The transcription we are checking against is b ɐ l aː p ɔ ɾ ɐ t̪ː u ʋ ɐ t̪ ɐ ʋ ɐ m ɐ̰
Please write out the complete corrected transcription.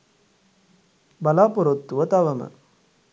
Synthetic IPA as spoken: b ɐ l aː p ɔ ɾ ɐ t̪ː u ʋ ɐ t̪ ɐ ʋ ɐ m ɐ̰

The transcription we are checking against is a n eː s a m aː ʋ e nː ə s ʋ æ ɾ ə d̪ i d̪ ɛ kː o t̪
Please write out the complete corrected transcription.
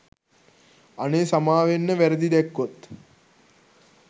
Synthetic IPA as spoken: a n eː s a m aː ʋ e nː ə ʋ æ ɾ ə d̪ i d̪ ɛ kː o t̪

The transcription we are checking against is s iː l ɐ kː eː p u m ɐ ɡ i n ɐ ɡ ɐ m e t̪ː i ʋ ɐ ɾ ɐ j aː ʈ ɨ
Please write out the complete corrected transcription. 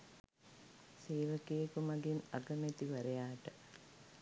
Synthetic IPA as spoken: s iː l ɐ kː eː k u m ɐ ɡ i n ɐ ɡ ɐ m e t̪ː i ʋ ɐ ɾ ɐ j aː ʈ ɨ

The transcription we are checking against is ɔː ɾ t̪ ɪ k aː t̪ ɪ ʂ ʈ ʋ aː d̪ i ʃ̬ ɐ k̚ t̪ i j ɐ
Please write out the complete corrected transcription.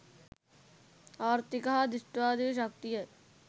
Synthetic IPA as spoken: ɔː ɾ t̪ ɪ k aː d̪ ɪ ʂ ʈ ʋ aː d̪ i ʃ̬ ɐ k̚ t̪ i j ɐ

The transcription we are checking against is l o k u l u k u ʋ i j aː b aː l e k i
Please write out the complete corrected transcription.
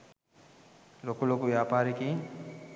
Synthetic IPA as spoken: l o k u l o k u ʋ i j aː p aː ɾ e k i

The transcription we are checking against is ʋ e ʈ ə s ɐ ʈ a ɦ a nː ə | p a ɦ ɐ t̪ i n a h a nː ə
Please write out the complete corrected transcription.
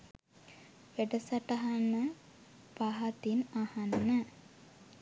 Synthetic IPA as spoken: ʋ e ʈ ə s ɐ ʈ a ɦ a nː ə | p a ɦ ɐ t̪ i n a h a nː ə

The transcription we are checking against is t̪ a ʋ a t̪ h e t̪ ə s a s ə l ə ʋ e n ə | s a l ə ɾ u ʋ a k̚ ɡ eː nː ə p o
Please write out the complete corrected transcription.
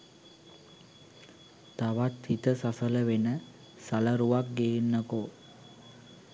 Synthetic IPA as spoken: t̪ a ʋ a t̪ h i t̪ ə s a s ə l ə ʋ e n ə | s a l ə ɾ u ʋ a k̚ ɡ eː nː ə k o

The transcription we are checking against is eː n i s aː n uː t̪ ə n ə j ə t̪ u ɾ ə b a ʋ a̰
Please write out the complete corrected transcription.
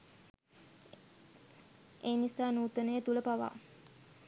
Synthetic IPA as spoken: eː n i s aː n uː t̪ ə n ə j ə t̪ u l ə p a ʋ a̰

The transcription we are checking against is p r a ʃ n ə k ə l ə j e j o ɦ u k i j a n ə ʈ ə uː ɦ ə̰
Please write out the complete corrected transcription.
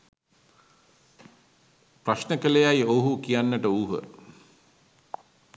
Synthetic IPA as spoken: p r a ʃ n ə k ə l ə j a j o ɦ u k i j a nː ə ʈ ə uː ɦ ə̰

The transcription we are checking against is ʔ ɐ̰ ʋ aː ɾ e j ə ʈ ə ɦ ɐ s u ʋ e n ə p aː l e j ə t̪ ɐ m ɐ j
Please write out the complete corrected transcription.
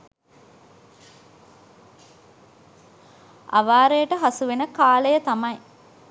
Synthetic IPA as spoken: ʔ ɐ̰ ʋ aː ɾ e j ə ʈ ə ɦ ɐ s u ʋ e n ə k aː l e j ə t̪ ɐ m ɐ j

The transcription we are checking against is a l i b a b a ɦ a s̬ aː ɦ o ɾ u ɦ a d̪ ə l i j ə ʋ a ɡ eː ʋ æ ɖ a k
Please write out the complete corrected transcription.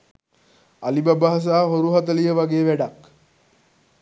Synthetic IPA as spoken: a l i b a b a ɦ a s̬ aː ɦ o ɾ u ɦ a t̪ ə l i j ə ʋ a ɡ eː ʋ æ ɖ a k

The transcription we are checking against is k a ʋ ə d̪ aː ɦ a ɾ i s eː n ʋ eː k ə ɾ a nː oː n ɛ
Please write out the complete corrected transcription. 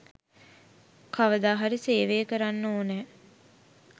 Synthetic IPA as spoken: k a ʋ ə d̪ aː ɦ a ɾ i s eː ʋ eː k ə ɾ a nː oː n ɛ

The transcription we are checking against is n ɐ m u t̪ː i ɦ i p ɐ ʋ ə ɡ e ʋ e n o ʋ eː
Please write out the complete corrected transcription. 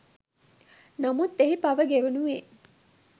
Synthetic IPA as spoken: n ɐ m u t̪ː e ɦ i p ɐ ʋ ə ɡ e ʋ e n u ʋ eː

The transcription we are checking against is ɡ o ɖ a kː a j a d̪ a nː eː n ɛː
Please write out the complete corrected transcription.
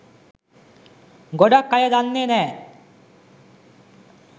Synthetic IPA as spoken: ɡ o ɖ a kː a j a d̪ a nː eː n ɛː

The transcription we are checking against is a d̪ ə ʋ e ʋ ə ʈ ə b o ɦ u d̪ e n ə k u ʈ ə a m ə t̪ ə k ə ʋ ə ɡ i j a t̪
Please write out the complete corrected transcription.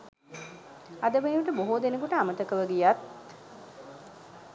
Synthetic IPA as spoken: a d̪ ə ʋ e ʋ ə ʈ ə b o ɦ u d̪ e n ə k u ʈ ə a m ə t̪ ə k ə ʋ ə ɡ i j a t̪

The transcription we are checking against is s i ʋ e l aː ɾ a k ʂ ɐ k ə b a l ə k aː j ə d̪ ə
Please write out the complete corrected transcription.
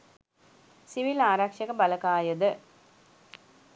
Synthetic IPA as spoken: s i ʋ i l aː ɾ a k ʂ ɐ k ə b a l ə k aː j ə d̪ ə

